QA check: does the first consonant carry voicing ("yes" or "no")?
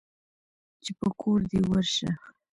no